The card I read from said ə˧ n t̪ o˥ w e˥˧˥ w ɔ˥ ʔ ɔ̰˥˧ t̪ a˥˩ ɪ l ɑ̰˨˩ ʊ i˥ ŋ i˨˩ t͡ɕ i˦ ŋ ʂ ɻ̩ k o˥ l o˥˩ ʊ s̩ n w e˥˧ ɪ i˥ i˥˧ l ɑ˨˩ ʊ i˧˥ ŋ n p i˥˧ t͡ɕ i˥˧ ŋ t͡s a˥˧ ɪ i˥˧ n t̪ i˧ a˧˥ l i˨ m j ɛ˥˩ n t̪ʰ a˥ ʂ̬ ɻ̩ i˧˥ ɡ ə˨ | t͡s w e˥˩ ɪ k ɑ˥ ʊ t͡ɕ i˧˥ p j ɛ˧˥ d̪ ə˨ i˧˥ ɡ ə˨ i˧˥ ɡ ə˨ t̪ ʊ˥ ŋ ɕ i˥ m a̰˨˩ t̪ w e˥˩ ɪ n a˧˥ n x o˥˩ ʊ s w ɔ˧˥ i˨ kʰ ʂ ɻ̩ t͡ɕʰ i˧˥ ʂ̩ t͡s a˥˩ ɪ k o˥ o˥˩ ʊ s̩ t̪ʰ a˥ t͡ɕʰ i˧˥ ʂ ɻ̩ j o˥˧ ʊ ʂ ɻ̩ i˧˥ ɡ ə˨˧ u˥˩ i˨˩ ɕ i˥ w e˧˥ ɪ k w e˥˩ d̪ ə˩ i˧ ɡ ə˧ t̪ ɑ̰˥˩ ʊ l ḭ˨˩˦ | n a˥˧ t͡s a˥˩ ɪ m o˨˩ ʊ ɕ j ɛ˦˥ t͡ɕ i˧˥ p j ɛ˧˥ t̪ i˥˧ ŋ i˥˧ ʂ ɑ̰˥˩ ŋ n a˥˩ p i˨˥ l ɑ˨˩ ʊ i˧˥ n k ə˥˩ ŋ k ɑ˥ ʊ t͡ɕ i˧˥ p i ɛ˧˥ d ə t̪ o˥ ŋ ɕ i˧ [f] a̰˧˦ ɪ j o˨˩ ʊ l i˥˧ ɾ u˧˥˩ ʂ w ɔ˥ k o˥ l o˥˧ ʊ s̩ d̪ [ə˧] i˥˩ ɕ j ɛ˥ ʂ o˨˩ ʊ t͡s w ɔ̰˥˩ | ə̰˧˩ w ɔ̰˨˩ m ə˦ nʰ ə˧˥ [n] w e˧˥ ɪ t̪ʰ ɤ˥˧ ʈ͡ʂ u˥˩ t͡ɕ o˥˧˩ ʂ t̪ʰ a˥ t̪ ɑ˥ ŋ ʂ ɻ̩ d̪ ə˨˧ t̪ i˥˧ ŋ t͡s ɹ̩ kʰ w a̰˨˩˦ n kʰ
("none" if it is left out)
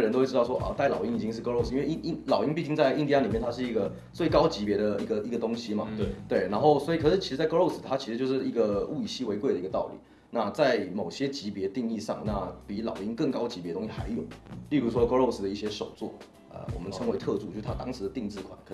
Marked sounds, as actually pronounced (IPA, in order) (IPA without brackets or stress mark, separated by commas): x, ə˩, ŋ